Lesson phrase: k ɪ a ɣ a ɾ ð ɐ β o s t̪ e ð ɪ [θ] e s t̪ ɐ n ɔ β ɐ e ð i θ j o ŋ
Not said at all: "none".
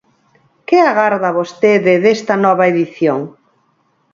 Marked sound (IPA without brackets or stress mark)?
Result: ð